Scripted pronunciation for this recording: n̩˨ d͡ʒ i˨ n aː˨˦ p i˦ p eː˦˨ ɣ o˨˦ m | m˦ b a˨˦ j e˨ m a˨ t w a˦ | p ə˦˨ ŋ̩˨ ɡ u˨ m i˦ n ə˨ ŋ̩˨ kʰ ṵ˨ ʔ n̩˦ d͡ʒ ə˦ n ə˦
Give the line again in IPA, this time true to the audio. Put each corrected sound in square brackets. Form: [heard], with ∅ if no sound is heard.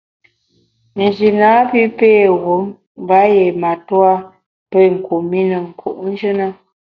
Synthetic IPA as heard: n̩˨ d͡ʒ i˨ n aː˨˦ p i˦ p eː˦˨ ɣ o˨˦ m | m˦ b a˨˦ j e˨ m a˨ t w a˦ | p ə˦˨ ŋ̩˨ [k] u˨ m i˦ n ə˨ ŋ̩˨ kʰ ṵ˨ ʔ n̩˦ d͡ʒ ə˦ n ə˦